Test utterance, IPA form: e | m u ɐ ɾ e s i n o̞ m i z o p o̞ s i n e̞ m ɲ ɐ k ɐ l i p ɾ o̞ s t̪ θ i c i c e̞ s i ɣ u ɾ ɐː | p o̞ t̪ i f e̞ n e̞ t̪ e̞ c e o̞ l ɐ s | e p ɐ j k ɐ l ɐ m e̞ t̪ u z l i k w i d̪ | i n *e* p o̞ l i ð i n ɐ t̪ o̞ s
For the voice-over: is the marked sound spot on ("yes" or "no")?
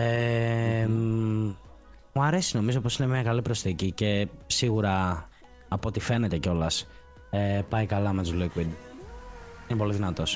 yes